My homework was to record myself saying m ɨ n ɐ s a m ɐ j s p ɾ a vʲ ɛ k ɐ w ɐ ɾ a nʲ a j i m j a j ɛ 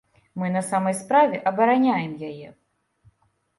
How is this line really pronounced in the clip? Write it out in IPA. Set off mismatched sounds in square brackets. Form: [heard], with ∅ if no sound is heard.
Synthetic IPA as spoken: m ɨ n ɐ s a m ɐ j s p ɾ a vʲ ɛ [ʔ] ɐ [b] ɐ ɾ a nʲ a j [ɛ] m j a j ɛ